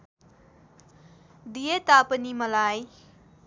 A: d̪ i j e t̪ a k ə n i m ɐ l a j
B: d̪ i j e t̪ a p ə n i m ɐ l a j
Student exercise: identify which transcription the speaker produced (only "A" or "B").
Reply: B